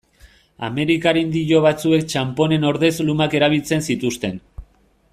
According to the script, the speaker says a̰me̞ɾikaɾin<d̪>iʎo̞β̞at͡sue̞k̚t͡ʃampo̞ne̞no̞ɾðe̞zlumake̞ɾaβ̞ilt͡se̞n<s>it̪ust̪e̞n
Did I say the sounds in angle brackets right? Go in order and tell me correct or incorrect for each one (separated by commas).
correct, correct